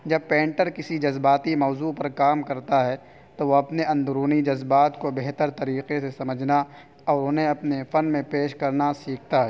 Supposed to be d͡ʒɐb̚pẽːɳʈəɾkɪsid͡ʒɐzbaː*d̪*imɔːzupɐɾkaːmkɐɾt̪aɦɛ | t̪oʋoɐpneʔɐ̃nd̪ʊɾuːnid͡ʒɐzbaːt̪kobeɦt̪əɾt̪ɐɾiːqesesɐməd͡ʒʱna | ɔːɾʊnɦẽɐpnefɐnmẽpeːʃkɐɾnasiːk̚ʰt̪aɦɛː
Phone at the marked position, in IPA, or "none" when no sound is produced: t̪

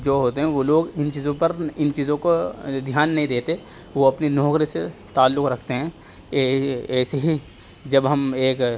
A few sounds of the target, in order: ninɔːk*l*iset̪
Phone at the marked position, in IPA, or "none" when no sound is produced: ɾ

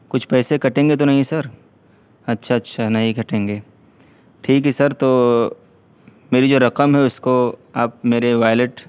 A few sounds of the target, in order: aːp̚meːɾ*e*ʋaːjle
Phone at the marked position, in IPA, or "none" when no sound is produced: e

